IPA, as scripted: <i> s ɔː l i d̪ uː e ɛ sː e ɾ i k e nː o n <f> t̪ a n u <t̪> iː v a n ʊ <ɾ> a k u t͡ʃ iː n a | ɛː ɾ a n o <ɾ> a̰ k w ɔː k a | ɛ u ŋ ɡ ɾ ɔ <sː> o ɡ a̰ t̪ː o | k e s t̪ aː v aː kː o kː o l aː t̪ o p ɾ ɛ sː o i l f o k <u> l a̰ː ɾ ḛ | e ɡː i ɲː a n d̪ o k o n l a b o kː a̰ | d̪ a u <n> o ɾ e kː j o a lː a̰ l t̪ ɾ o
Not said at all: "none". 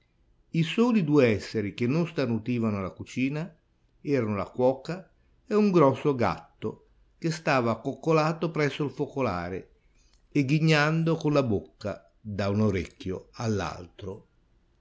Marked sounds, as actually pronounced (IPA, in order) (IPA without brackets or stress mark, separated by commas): i, s, t̪, l, l, sː, o, n